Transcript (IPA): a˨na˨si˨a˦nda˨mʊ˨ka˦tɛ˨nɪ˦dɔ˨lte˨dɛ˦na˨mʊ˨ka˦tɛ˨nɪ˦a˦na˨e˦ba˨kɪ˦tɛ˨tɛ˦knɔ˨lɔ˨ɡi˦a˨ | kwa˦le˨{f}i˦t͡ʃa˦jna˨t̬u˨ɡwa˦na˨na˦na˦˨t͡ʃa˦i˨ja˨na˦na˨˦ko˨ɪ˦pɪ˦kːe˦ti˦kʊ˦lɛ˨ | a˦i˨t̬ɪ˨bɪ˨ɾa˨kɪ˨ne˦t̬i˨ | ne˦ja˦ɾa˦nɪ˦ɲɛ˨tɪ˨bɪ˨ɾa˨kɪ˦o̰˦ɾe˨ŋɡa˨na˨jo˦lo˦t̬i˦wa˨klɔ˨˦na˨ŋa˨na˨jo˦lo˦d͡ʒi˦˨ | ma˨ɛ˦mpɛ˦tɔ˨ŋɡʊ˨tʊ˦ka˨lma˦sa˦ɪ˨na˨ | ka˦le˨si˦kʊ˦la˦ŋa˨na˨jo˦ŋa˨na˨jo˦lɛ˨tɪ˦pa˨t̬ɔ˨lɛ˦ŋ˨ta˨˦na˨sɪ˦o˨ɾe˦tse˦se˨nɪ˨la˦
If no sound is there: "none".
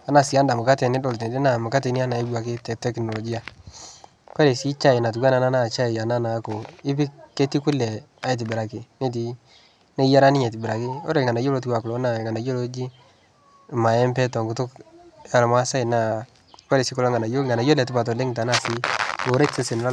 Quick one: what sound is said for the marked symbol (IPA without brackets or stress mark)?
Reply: s